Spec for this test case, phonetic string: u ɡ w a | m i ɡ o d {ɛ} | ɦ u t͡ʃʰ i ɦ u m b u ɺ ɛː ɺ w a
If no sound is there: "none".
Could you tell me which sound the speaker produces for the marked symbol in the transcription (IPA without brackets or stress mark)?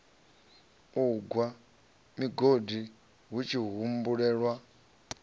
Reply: i